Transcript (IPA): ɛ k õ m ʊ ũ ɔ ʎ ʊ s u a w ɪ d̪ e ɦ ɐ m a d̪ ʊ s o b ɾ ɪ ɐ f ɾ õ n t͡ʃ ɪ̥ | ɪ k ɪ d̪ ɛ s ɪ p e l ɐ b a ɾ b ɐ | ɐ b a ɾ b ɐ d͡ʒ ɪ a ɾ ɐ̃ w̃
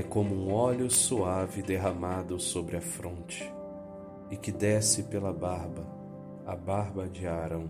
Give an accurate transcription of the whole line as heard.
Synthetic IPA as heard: ɛ k õ m ʊ ũ ɔ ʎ ʊ s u a v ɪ d̪ e ɦ ɐ m a d̪ ʊ s o b ɾ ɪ ɐ f ɾ õ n t͡ʃ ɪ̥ | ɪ k ɪ d̪ ɛ s ɪ p e l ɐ b a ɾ b ɐ | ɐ b a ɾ b ɐ d͡ʒ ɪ a ɾ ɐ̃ w̃